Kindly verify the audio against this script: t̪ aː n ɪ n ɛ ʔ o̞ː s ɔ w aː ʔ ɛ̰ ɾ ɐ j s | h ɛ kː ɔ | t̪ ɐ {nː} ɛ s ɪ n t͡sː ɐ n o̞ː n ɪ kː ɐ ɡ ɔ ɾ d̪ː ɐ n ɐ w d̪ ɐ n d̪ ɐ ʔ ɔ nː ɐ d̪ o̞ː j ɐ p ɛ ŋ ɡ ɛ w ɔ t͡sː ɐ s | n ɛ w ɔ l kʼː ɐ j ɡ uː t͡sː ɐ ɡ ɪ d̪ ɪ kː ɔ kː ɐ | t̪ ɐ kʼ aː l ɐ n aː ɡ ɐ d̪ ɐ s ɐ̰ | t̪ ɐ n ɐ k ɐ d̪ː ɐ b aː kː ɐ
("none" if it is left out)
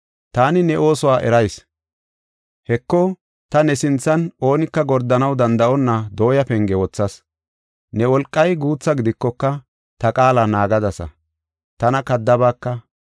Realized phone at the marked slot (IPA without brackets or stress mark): n